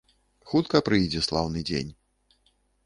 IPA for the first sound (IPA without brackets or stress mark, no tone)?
x